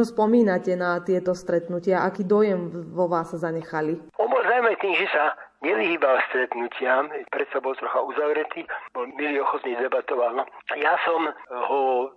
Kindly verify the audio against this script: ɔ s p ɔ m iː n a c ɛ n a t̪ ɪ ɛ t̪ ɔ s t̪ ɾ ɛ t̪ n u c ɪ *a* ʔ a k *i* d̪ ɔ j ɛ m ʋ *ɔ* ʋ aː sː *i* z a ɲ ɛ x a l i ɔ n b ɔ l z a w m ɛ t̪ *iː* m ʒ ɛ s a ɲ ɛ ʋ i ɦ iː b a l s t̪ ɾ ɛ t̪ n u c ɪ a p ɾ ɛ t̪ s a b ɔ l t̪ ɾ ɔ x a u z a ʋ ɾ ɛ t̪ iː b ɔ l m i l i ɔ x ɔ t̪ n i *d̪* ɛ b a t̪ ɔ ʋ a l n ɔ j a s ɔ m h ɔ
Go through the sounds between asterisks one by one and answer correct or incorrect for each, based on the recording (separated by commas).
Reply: correct, incorrect, correct, incorrect, correct, correct